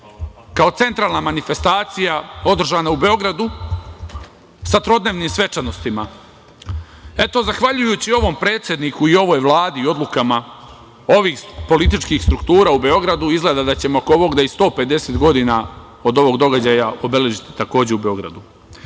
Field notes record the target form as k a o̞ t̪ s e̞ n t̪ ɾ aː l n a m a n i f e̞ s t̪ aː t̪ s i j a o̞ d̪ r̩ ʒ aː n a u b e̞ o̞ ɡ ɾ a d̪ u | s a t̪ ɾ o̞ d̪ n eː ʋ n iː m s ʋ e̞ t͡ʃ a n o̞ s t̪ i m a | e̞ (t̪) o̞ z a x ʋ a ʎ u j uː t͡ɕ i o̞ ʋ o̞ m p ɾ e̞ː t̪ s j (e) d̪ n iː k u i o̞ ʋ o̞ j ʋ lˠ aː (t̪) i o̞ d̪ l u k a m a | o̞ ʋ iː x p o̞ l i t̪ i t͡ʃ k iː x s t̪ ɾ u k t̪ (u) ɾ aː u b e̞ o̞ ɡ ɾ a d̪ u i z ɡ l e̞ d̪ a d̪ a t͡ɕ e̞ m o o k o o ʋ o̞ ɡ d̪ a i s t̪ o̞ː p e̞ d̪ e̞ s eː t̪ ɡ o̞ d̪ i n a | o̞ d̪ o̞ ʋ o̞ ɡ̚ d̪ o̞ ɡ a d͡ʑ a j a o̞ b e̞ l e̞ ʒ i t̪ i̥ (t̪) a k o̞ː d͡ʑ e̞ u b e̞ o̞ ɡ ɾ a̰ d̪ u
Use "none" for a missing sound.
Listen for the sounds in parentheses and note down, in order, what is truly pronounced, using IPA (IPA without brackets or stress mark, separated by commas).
t̪, e, d̪, uː, t̪